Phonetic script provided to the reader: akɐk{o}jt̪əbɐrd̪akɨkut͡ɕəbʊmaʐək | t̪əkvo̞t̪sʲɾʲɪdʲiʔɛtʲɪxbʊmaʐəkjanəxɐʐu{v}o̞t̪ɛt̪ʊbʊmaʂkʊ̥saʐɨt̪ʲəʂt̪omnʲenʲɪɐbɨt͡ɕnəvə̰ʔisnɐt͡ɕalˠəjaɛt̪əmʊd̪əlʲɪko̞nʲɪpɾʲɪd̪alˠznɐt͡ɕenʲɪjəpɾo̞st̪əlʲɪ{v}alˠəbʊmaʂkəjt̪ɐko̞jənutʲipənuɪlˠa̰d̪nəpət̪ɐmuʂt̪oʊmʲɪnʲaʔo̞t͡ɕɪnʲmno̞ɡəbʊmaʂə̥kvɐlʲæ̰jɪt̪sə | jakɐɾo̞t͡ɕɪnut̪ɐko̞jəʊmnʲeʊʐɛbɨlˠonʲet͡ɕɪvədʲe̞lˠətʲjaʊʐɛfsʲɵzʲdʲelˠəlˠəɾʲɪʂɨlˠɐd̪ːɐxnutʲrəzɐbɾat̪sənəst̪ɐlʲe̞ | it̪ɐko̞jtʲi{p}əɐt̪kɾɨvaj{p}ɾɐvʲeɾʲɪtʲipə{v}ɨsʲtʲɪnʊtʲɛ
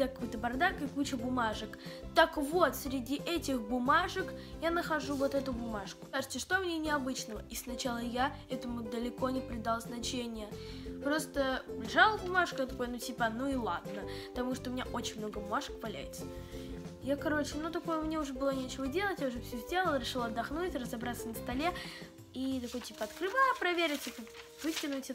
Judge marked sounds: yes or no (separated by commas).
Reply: yes, yes, no, yes, yes, yes